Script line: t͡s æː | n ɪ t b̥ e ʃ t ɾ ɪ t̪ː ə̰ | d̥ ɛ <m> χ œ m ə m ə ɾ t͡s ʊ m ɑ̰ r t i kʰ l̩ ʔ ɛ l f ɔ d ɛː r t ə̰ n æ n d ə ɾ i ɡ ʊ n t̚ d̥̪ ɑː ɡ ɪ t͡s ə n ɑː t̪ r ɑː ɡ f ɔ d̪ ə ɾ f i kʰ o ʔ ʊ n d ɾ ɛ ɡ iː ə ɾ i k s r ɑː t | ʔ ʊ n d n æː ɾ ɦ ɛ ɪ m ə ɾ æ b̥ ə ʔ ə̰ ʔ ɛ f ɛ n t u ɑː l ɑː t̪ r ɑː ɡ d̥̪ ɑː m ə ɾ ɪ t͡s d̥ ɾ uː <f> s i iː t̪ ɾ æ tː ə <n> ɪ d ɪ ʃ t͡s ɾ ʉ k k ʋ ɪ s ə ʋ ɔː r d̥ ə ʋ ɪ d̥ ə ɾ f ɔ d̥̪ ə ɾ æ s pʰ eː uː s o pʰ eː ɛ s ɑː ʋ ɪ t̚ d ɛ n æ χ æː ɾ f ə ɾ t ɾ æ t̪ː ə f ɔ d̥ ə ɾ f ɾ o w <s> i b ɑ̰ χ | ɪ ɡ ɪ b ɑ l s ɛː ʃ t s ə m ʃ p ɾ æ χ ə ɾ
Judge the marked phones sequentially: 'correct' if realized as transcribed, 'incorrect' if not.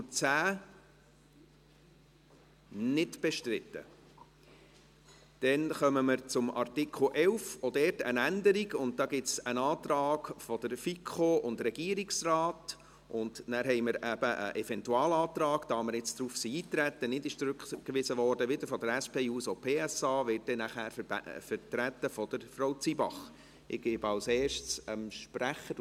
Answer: incorrect: n, correct, correct, incorrect: t͡s

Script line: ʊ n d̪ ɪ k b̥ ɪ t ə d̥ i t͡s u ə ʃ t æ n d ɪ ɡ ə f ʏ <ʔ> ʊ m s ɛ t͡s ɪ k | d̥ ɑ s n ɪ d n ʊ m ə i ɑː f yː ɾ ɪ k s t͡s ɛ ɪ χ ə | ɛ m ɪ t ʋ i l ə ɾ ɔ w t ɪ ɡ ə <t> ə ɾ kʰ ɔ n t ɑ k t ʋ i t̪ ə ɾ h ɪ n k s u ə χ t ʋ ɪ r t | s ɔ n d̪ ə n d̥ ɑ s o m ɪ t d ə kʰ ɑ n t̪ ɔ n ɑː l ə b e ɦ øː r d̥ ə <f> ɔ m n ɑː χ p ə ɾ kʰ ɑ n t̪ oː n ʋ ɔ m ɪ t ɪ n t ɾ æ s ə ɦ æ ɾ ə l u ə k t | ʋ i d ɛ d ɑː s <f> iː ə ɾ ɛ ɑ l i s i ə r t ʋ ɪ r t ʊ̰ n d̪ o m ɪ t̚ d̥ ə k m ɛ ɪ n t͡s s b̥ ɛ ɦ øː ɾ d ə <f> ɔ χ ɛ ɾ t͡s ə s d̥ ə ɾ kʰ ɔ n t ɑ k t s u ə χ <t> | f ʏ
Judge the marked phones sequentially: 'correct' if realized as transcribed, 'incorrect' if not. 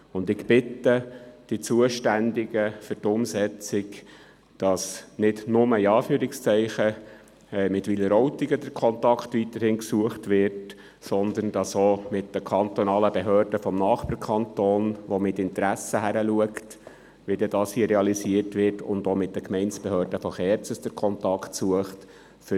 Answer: incorrect: t, incorrect: d, correct, incorrect: h, correct, correct

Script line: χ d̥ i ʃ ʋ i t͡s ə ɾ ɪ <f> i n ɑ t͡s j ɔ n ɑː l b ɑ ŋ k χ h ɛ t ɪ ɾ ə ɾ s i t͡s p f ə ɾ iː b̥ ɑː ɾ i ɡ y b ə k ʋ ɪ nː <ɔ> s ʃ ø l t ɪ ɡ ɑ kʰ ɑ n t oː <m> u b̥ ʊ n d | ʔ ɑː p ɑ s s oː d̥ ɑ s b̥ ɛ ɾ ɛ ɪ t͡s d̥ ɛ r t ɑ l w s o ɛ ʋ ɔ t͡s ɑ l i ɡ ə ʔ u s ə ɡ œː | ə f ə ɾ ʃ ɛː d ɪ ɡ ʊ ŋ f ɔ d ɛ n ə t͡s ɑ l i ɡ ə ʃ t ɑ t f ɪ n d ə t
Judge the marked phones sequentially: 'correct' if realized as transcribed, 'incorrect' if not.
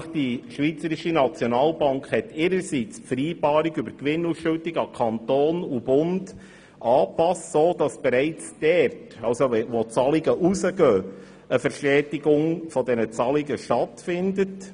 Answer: incorrect: ʃ, incorrect: u, incorrect: n

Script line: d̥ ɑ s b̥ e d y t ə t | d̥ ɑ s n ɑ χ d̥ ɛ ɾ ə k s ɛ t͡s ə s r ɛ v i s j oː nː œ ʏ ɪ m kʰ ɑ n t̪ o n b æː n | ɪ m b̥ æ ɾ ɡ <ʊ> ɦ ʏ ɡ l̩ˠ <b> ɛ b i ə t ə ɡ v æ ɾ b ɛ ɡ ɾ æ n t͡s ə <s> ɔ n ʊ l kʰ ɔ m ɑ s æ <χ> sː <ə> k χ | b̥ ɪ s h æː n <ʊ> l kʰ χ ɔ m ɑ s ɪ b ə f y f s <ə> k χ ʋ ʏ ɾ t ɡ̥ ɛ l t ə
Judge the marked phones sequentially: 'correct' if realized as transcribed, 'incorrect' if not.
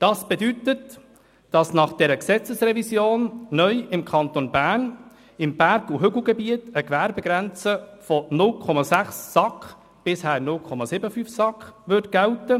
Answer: incorrect: u, incorrect: ɡ, incorrect: f, correct, incorrect: ɑ, correct, incorrect: ɑ

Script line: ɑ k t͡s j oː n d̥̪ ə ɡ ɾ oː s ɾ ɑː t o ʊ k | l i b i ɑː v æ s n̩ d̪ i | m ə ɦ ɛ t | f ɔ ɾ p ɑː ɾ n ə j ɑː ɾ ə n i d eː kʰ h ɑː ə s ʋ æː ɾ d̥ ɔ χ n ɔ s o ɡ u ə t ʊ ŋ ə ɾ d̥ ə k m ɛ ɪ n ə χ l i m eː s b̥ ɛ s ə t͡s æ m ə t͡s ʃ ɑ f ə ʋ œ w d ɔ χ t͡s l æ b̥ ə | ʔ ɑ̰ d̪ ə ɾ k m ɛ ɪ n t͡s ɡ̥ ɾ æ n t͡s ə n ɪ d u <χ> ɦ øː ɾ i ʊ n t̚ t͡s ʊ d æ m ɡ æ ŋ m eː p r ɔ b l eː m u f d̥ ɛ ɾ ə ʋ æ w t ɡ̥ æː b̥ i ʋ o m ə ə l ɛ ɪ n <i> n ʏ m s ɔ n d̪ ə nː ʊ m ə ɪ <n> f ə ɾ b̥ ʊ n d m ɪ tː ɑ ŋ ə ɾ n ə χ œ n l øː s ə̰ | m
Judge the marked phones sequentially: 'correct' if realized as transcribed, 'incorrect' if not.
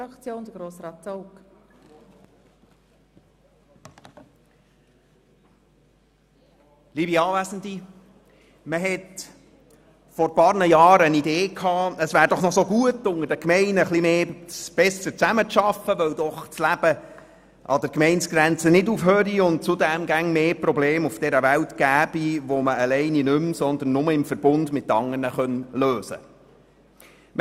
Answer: incorrect: f, correct, incorrect: m

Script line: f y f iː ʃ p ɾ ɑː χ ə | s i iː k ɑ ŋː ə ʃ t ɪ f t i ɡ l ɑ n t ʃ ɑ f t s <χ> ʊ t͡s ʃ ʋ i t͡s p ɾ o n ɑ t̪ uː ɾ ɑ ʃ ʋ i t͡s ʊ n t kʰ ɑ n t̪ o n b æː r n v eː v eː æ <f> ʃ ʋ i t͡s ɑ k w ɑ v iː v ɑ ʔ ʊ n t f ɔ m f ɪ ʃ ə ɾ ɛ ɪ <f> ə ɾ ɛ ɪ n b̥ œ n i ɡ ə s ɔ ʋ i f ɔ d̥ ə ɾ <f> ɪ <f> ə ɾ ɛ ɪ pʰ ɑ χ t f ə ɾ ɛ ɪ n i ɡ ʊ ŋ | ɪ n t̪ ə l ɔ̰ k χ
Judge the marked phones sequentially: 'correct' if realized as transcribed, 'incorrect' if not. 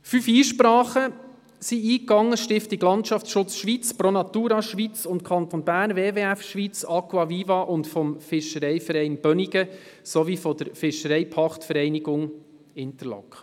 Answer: incorrect: ʃ, correct, correct, correct, incorrect: ʃ

